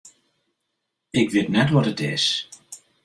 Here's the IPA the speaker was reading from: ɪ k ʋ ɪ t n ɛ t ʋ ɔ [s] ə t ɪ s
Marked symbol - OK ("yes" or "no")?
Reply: no